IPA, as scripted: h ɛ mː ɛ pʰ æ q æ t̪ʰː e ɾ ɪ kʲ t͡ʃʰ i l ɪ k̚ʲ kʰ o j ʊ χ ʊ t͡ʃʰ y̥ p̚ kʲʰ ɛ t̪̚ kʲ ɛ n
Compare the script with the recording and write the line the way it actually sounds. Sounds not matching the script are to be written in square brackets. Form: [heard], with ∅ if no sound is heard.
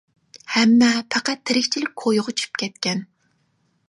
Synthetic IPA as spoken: h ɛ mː ɛ pʰ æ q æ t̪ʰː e ɾ ɪ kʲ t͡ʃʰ i l ɪ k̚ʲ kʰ o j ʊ [ʁ] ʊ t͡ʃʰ y̥ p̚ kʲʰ ɛ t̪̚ kʲ ɛ n